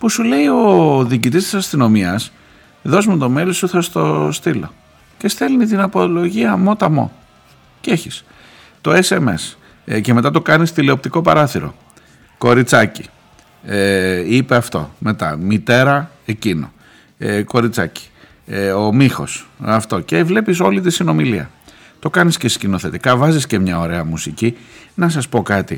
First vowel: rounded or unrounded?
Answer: rounded